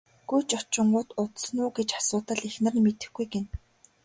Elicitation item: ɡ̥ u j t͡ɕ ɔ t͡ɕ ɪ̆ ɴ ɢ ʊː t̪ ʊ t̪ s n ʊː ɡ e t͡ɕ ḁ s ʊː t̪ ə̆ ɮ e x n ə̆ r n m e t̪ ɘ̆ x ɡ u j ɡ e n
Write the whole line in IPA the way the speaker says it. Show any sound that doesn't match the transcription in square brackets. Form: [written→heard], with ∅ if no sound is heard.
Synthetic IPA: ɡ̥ u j t͡ɕ ɔ t͡ɕ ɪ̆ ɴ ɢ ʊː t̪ ʊ t̪ s n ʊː ɡ e t͡ɕ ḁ s ʊː t̪ ə̆ ɮ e x n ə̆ r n m e t̪ ɘ̆ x ɡ u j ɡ e n